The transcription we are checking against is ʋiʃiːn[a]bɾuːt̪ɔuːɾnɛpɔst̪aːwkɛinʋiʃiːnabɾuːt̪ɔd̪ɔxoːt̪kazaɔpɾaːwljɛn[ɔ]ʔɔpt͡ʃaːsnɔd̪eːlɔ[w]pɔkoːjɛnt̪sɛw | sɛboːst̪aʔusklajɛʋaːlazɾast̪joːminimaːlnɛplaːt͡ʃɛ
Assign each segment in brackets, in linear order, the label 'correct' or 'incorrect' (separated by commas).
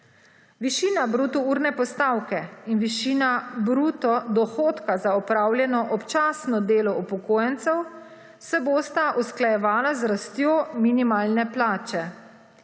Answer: correct, correct, incorrect